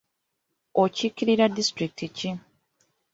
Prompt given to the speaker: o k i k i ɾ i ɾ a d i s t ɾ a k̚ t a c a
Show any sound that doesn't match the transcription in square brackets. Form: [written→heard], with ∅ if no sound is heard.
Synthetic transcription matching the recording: o [k→c] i k i ɾ i ɾ a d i s t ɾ [a→i] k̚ t [a→i] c [a→i]